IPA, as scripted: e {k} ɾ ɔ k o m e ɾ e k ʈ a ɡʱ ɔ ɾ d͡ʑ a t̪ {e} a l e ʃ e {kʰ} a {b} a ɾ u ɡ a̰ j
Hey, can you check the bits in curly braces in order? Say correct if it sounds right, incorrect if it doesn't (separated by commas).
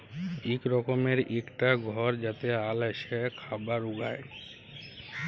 correct, correct, correct, correct